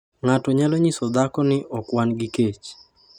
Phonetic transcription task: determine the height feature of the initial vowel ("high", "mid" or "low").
low